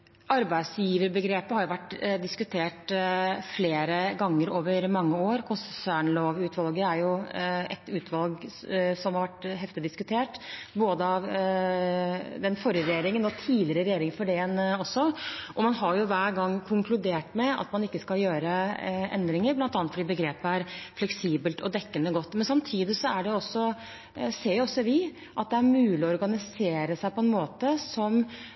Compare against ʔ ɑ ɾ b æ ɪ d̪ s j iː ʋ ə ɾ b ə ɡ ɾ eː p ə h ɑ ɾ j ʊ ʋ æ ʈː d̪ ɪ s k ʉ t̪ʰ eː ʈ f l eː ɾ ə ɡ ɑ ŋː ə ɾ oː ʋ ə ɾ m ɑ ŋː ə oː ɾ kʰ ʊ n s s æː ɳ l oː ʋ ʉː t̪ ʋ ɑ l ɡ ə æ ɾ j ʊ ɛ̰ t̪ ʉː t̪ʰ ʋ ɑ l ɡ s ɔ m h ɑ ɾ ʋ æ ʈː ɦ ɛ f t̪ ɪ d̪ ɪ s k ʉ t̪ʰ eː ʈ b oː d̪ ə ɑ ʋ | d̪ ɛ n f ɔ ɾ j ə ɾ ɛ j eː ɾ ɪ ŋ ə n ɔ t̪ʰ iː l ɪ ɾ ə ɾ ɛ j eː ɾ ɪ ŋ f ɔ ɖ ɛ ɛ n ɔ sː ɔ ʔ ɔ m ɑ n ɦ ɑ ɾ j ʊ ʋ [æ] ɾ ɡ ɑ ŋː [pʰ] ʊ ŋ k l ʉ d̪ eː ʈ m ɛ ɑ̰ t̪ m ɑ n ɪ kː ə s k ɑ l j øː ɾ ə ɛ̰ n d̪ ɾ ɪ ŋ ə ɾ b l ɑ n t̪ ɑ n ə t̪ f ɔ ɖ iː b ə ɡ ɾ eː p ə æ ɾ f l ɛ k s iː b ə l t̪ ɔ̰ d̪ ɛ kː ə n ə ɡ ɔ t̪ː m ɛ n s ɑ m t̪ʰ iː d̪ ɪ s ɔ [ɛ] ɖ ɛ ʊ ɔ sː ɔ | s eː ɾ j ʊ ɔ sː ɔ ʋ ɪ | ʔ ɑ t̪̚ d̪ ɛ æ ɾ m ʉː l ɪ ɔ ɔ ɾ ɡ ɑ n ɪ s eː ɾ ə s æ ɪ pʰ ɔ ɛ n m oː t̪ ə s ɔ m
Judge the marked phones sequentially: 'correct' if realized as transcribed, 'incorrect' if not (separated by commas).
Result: incorrect, incorrect, incorrect